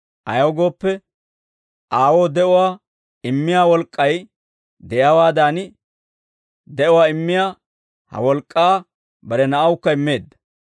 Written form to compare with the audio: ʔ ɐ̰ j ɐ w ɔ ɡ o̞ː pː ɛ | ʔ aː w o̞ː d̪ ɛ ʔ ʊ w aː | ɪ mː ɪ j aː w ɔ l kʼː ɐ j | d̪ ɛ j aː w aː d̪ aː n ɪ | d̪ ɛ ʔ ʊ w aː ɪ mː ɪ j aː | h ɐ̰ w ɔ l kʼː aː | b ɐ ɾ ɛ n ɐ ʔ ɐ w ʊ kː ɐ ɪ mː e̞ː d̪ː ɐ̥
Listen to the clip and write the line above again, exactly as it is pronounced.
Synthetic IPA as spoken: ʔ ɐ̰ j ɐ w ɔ ɡ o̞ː pː ɛ | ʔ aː w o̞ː d̪ ɛ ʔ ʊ w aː | ɪ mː ɪ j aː w ɔ l kʼː ɐ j | d̪ ɛ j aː w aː d̪ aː n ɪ | d̪ ɛ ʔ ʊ w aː ɪ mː ɪ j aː | h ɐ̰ w ɔ l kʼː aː | b ɐ ɾ ɛ n ɐ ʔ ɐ w ʊ kː ɐ ɪ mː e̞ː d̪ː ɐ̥